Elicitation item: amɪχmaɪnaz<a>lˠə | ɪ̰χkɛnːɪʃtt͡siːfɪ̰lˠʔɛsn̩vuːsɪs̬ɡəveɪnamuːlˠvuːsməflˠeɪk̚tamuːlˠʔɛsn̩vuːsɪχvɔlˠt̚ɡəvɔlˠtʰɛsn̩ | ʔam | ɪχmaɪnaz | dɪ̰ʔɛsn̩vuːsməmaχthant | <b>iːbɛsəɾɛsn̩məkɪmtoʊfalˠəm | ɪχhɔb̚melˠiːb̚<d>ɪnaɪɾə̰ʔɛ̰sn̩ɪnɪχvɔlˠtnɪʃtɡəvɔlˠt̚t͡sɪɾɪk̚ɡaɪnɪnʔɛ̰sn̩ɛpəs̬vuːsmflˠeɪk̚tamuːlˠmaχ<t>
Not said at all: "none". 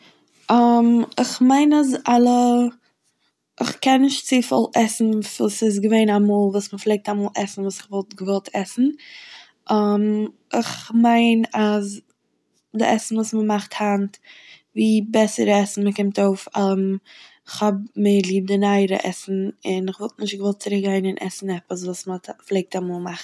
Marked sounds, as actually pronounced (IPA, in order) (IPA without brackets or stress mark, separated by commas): a, v, d, t